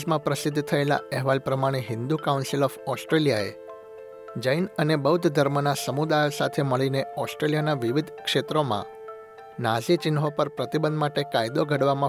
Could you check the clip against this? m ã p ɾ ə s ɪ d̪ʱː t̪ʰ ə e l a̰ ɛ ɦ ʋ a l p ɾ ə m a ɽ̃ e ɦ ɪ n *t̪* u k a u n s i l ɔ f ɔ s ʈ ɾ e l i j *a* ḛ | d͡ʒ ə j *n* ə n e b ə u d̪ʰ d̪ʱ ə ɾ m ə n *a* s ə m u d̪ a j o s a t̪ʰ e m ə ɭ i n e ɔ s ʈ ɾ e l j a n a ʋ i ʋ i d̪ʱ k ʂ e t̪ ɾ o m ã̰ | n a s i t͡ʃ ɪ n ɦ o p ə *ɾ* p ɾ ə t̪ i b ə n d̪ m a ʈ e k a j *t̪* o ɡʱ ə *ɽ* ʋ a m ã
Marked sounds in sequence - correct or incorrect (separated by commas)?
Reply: incorrect, correct, correct, correct, correct, incorrect, correct